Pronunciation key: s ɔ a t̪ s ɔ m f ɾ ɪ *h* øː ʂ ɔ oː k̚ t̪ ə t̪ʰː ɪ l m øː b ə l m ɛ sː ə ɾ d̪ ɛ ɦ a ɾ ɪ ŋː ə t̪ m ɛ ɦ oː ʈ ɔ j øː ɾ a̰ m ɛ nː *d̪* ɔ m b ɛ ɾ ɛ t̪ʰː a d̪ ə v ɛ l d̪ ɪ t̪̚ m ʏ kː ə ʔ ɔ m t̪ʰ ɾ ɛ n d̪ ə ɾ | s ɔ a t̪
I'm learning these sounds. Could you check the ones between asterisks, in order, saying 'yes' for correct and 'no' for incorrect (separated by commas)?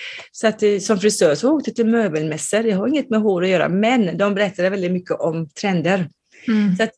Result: no, yes